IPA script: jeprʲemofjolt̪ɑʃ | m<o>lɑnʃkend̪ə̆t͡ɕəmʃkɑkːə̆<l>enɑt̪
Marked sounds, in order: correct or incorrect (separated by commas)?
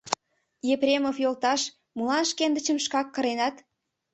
incorrect, incorrect